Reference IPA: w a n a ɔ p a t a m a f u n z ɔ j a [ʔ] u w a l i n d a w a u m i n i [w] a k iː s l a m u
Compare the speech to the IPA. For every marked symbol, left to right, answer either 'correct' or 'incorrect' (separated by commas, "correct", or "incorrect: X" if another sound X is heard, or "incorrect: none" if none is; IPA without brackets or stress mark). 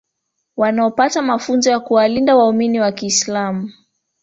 incorrect: k, correct